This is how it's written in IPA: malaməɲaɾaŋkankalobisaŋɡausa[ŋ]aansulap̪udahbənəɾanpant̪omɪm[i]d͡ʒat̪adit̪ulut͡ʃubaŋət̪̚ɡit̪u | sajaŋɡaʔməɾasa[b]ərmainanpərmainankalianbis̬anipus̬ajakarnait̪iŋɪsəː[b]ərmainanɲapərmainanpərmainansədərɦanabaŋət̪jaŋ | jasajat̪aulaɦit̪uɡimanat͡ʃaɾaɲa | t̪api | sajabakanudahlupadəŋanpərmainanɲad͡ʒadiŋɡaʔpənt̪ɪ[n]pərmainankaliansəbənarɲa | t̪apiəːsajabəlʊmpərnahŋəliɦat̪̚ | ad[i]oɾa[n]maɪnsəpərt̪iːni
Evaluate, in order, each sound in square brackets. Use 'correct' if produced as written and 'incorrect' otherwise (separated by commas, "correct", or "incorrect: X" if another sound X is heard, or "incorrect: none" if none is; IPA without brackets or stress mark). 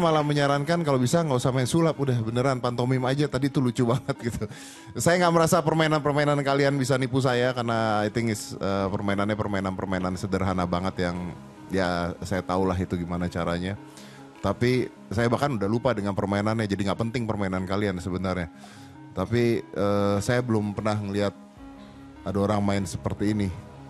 incorrect: m, incorrect: a, incorrect: p, incorrect: p, incorrect: ŋ, incorrect: a, incorrect: ŋ